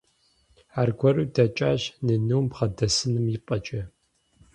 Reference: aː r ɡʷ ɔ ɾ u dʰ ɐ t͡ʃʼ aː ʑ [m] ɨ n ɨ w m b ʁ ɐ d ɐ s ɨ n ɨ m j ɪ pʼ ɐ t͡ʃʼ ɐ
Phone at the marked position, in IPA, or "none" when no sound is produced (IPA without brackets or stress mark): n